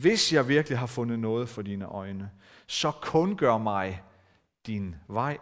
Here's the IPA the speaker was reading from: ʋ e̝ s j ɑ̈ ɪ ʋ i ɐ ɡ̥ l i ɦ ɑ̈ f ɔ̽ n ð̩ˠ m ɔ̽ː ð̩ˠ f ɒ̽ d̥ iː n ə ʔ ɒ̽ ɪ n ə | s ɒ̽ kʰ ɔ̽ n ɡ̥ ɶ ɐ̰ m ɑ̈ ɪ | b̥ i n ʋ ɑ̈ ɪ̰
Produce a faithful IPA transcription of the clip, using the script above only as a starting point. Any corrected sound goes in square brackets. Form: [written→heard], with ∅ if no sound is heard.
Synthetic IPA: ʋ e̝ s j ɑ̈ ɪ ʋ i ɐ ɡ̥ l i ɦ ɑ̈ f ɔ̽ n ð̩ˠ [m→n] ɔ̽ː ð̩ˠ f ɒ̽ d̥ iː n ə ʔ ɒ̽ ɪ n ə | s ɒ̽ kʰ ɔ̽ n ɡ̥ ɶ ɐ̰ m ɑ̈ ɪ | [b̥→d̥] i n ʋ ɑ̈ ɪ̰